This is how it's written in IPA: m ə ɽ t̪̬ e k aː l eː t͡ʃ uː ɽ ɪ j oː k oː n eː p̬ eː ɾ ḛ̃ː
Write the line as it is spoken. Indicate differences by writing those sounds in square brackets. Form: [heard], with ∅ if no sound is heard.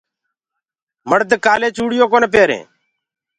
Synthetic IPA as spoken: m ə ɽ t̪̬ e k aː l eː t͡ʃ uː ɽ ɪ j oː k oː n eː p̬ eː ɾ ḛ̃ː